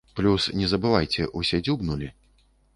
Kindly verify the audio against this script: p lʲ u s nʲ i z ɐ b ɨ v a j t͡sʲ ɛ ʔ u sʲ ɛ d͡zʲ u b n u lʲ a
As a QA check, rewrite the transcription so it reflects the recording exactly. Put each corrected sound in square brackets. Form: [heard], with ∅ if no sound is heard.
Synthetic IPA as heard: p lʲ u s nʲ [ɛ] z ɐ b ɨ v a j t͡sʲ ɛ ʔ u sʲ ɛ d͡zʲ u b n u lʲ [i]